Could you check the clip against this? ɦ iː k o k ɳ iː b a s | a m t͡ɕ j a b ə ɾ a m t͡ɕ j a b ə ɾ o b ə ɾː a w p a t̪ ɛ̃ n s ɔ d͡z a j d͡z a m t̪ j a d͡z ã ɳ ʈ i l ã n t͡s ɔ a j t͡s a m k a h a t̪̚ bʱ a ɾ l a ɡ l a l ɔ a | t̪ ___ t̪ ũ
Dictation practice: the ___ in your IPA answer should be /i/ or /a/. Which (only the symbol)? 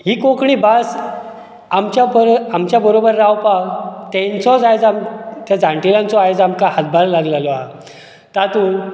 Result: a